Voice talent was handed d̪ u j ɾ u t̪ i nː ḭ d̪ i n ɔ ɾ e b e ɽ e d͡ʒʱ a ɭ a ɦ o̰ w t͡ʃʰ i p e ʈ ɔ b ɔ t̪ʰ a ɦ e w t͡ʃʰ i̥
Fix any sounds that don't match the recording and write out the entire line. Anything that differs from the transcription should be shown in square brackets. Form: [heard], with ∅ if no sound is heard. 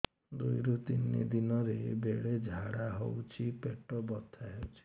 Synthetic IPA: d̪ u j ɾ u t̪ i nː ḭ d̪ i n ɔ ɾ e b e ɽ e d͡ʒʱ a [ɽ] a ɦ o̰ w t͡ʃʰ i p e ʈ ɔ b ɔ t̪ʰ a ɦ e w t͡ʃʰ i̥